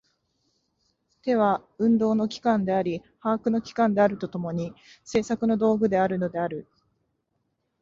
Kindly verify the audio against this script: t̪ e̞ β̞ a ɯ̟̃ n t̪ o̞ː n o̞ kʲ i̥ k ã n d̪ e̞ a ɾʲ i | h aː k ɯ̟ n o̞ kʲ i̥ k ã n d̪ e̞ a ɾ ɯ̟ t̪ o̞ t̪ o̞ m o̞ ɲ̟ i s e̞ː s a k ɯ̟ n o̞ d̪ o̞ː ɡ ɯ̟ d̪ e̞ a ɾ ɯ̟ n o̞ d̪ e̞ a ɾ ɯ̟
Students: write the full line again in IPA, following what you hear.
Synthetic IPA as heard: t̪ e̞ β̞ a ɯ̟̃ n d̪ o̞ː n o̞ kʲ i̥ k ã n d̪ e̞ a ɾʲ i | h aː k ɯ̟ n o̞ kʲ i̥ k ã n d̪ e̞ a ɾ ɯ̟ t̪ o̞ t̪ o̞ m o̞ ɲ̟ i s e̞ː s a k ɯ̟ n o̞ d̪ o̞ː ɡ ɯ̟ d̪ e̞ a ɾ ɯ̟ n o̞ d̪ e̞ a ɾ ɯ̟

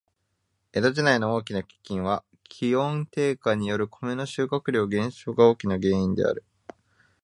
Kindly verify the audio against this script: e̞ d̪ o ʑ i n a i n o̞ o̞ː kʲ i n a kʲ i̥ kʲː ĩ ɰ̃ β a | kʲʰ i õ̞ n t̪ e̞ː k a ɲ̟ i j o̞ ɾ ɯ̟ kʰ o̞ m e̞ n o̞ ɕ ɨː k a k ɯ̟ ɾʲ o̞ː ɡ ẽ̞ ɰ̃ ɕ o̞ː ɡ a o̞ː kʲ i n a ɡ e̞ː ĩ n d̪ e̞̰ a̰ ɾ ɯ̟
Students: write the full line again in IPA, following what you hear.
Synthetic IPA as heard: e̞ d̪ o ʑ i n a i n o̞ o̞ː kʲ i n a kʲ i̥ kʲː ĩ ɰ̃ β a | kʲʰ i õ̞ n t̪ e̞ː k a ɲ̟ i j o̞ ɾ ɯ̟ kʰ o̞ m e̞ n o̞ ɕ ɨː k a k ɯ̟ ɾʲ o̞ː ɡ ẽ̞ ɰ̃ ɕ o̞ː ɡ a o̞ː kʲ i n a ɡ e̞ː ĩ n d̪ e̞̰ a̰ ɾ ɯ̟

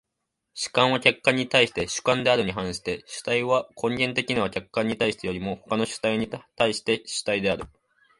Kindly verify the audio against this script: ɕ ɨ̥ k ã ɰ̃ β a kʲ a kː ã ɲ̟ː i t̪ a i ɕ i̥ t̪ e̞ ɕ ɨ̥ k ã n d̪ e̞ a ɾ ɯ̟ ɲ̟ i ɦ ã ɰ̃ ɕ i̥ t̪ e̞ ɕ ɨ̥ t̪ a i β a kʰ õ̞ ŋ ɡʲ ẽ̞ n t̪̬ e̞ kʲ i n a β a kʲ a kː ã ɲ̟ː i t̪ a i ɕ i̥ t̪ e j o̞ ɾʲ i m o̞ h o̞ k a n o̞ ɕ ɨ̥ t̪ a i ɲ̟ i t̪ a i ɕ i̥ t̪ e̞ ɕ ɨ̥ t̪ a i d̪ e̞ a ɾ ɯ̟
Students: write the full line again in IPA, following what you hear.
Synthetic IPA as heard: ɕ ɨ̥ k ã ɰ̃ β a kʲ a kː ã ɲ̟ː i t̪ a i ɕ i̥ t̪ e̞ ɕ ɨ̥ k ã n d̪ e̞ a ɾ ɯ̟ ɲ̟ i ɦ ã ɰ̃ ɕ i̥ t̪ e̞ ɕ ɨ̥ t̪ a i β a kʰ õ̞ ŋ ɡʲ ẽ̞ n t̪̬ e̞ kʲ i n a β a kʲ a kː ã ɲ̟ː i t̪ a i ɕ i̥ t̪ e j o̞ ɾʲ i m o̞ h o̞ k a n o̞ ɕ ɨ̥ t̪ a i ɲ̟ i t̪ a i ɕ i̥ t̪ e̞ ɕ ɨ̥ t̪ a i d̪ e̞ a ɾ ɯ̟

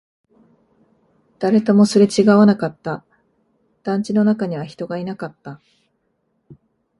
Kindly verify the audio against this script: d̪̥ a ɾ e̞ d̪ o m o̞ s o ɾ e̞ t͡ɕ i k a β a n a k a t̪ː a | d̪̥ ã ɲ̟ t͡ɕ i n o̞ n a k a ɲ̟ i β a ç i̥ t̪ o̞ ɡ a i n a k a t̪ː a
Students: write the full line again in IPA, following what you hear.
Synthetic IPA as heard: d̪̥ a ɾ e̞ t̪ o m o̞ s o ɾ e̞ t͡ɕ i ɡ a β a n a k a t̪ː a | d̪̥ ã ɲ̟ t͡ɕ i n o̞ n a k a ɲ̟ i β a ç i̥ t̪ o̞ ɡ a i n a k a t̪ː a

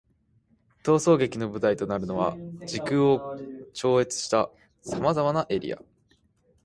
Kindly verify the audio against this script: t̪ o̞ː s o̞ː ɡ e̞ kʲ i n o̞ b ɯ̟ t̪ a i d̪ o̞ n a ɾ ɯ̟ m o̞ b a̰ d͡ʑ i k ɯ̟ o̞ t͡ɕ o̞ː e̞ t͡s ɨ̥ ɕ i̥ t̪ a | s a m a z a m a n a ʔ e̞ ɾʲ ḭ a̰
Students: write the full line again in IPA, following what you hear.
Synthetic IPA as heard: t̪ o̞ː s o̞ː ɡ e̞ kʲ i n o̞ b ɯ̟ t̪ a i t̪ o̞ n a ɾ ɯ̟ n o̞ β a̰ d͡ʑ i k ɯ̟ o̞ t͡ɕ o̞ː e̞ t͡s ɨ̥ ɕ i̥ t̪ a | s a m a z a m a n a ʔ e̞ ɾʲ ḭ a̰

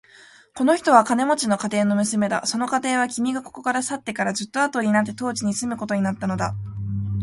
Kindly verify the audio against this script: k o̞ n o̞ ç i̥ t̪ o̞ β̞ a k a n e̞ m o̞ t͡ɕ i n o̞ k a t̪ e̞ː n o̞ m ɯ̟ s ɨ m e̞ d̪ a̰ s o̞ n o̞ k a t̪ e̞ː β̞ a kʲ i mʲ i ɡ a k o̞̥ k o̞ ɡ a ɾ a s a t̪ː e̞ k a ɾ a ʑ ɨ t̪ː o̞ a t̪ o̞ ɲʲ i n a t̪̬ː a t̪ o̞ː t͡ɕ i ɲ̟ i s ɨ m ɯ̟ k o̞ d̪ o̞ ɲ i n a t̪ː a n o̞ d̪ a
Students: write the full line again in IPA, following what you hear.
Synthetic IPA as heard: k o̞ n o̞ ç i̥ t̪ o̞ β̞ a k a n e̞ m o̞ t͡ɕ i n o̞ k a t̪ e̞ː n o̞ m ɯ̟ s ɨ m e̞ d̪ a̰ s o̞ n o̞ k a t̪ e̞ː β̞ a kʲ i mʲ i ɡ a k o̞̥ k o̞ k a ɾ a s a t̪ː e̞ k a ɾ a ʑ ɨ t̪ː o̞ a t̪ o̞ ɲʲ i n a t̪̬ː e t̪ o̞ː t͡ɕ i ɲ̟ i s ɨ m ɯ̟ k o̞ t̪ o̞ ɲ i n a t̪ː a n o̞ d̪ a

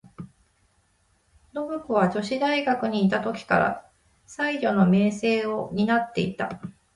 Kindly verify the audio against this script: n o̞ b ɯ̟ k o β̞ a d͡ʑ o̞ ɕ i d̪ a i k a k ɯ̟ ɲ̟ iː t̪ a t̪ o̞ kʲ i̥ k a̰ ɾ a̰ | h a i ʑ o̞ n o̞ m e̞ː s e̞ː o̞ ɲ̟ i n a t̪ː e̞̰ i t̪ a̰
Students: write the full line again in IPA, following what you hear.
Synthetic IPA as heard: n o̞ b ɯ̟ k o β̞ a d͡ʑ o̞ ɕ i d̪ a i ɡ a k ɯ̟ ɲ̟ iː t̪ a t̪ o̞ kʲ i̥ k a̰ ɾ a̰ | s a i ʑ o̞ n o̞ m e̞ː s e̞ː o̞ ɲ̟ i n a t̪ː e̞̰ i t̪ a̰

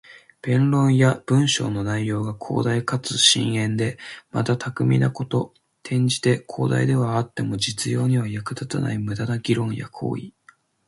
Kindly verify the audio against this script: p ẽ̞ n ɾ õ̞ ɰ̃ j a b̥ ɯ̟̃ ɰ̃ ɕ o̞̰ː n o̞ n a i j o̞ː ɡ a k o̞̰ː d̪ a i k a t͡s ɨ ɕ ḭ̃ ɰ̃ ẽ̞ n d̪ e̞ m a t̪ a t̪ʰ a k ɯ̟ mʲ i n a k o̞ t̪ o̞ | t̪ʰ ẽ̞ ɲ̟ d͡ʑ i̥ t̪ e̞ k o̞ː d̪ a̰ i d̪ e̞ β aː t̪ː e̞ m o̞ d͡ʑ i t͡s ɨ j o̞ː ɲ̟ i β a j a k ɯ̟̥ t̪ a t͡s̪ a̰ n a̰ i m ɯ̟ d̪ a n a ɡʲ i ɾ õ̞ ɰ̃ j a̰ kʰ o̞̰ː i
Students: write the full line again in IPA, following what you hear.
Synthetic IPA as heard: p ẽ̞ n ɾ õ̞ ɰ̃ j a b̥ ɯ̟̃ ɰ̃ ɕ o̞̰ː n o̞ n a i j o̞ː ɡ a kʰ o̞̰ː d̪ a i k a t͡s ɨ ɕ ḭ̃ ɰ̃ ẽ̞ n d̪ e̞ m a t̪ a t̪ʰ a k ɯ̟ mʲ i n a k o̞ t̪ o̞ | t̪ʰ ẽ̞ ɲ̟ d͡ʑ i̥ t̪ e̞ kʰ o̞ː d̪ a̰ i d̪ e̞ β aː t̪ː e̞ m o̞ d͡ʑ i t͡s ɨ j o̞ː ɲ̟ i β a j a k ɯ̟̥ t̪ a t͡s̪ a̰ n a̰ i m ɯ̟ d̪ a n a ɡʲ i ɾ õ̞ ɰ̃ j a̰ kʰ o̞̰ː i

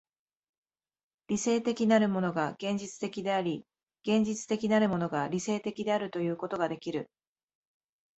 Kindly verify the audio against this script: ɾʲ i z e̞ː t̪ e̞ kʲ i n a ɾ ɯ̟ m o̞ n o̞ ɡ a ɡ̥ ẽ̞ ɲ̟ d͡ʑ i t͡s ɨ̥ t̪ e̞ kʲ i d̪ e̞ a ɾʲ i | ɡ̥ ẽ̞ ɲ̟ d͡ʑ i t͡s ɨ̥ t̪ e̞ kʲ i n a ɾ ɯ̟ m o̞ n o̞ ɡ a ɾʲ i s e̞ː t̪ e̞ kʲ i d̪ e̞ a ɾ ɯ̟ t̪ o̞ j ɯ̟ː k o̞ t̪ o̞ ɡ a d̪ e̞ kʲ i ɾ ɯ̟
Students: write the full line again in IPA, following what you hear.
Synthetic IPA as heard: ɾʲ i s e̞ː t̪ e̞ kʲ i n a ɾ ɯ̟ m o̞ n o̞ ɡ a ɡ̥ ẽ̞ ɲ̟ d͡ʑ i t͡s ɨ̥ t̪ e̞ kʲ i d̪ e̞ a ɾʲ i | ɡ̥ ẽ̞ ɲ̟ d͡ʑ i t͡s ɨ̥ t̪ e̞ kʲ i n a ɾ ɯ̟ m o̞ n o̞ ɡ a ɾʲ i s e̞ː t̪ e̞ kʲ i d̪ e̞ a ɾ ɯ̟ t̪ o̞ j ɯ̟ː k o̞ t̪ o̞ ɡ a d̪ e̞ kʲ i ɾ ɯ̟

